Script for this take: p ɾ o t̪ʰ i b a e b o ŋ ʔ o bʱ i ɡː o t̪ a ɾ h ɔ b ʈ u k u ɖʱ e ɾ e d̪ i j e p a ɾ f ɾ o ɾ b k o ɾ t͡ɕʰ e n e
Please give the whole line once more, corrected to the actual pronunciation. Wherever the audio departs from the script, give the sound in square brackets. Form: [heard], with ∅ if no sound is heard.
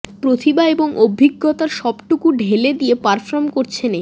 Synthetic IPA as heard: p ɾ o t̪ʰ i b a e b o ŋ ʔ o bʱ i ɡː o t̪ a ɾ [ʃ] ɔ b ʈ u k u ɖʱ e [l] e d̪ i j e p a ɾ f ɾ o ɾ [m] k o ɾ t͡ɕʰ e n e